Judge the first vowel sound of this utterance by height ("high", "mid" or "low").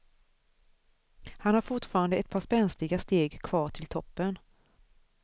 low